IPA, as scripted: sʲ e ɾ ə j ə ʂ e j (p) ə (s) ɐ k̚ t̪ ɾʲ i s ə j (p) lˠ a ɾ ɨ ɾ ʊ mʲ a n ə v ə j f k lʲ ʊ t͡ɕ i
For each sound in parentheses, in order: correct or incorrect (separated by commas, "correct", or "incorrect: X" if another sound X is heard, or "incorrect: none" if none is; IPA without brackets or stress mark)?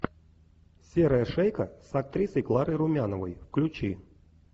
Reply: incorrect: k, correct, incorrect: k